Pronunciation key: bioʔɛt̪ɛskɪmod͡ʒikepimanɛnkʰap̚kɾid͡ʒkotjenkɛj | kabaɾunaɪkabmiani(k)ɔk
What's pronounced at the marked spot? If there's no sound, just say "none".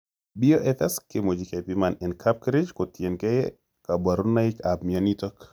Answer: t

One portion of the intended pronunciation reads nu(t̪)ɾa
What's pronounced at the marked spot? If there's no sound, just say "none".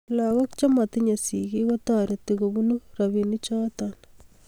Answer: none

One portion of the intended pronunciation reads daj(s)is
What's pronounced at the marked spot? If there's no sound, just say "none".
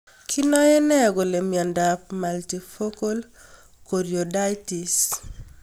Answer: t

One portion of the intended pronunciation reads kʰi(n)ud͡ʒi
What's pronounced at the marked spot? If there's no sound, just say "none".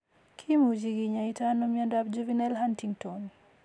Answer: m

